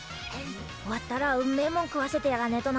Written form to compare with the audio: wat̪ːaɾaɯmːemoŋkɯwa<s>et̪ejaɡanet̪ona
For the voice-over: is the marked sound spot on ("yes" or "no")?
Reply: yes